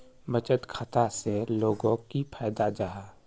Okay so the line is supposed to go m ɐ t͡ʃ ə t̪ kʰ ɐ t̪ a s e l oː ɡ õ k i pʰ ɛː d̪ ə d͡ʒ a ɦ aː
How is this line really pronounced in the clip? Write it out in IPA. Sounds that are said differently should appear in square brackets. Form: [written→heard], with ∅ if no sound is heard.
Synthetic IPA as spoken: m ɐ t͡ʃ ə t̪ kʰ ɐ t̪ a s e l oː ɡ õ k i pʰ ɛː d̪ [ə→a] d͡ʒ a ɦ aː